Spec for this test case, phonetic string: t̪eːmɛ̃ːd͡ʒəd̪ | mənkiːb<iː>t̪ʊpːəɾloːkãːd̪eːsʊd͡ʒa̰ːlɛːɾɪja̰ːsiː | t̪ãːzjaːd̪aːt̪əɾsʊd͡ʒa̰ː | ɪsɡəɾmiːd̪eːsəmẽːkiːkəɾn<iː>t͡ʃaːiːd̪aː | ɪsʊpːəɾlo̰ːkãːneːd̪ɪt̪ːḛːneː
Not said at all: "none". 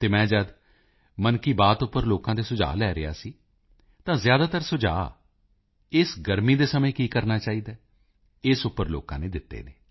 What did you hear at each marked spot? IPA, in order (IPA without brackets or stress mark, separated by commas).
aː, aː